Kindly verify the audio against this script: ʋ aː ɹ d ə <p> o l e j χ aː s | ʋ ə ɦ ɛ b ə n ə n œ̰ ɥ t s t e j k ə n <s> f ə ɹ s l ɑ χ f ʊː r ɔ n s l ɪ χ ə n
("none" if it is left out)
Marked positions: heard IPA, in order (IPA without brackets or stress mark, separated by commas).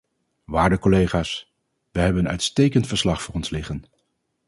k, t